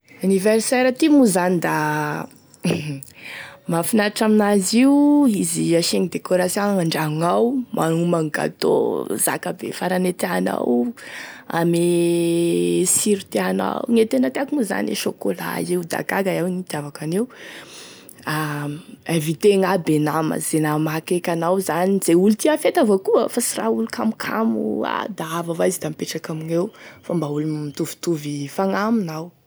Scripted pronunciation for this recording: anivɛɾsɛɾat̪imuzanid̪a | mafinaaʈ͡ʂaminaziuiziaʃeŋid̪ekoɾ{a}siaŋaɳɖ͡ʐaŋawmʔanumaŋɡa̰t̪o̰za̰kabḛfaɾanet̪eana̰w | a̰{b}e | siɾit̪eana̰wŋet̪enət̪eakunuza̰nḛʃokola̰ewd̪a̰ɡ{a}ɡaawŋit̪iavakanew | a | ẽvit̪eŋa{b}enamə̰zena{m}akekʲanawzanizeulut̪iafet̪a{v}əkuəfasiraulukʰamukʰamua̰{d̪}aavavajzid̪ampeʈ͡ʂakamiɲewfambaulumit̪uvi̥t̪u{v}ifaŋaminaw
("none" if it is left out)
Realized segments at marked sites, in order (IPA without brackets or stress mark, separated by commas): a, m, a, b, m, v, d̪, v